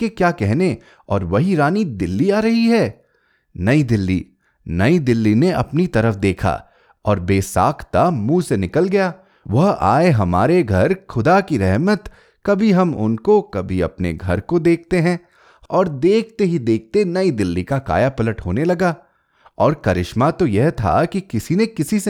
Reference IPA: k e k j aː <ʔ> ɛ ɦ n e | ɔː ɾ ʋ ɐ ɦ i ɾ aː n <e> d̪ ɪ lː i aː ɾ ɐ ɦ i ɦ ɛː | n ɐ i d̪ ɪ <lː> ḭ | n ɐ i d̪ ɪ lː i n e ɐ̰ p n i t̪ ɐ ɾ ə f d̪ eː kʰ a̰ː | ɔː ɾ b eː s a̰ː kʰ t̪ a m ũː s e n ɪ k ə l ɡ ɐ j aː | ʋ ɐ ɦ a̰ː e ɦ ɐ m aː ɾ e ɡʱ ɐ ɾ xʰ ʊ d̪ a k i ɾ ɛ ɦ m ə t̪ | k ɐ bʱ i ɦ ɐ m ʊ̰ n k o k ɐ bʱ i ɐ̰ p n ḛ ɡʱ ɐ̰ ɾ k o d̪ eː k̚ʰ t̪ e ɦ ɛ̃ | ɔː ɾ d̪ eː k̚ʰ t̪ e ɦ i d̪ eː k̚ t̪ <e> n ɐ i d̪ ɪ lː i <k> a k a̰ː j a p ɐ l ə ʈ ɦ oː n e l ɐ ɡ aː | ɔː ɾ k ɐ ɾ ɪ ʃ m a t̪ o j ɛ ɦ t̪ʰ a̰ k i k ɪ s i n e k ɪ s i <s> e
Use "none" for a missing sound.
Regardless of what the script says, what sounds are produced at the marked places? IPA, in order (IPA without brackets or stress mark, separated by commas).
k, i, lː, e, k, s